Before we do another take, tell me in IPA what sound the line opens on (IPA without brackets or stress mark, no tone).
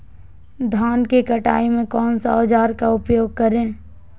d̪ʱ